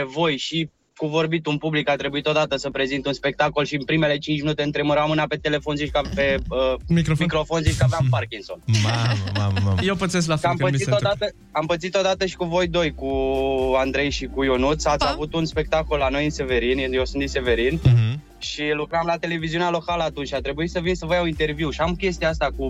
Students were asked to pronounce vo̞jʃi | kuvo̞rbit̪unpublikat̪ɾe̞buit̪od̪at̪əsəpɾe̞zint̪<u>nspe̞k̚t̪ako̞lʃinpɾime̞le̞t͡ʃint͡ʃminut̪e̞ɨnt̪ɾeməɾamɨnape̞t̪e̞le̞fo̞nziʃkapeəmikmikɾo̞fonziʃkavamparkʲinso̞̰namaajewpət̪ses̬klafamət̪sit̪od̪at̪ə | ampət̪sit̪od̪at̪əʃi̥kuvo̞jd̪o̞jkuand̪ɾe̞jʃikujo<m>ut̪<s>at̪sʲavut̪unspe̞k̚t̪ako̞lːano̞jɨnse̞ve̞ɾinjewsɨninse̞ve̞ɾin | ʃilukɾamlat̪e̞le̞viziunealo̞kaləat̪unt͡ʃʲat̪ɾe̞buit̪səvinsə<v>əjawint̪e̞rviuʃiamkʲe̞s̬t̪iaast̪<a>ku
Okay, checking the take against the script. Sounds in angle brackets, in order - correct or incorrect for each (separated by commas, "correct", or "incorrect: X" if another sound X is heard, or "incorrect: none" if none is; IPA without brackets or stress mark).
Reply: correct, incorrect: n, correct, correct, correct